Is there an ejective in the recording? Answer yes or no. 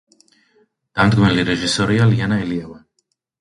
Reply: no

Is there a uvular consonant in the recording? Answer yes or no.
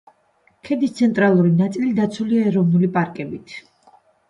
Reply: no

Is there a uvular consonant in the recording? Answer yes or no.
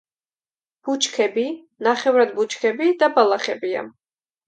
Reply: yes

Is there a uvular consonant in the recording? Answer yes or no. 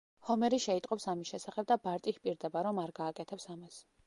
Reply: yes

